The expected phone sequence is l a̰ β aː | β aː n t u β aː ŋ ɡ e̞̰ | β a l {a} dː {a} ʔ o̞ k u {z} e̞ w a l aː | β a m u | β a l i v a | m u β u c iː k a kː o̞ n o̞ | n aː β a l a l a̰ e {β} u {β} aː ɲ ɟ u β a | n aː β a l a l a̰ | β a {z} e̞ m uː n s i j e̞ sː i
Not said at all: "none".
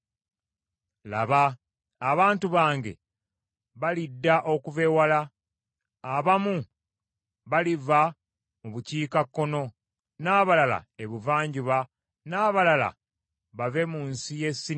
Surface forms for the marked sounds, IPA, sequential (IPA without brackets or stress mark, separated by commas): i, a, v, β, v, v